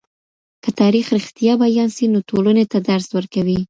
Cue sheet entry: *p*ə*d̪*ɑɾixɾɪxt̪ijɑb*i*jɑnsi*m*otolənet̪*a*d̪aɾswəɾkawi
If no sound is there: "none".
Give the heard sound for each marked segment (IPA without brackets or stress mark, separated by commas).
k, t̪, a, n, a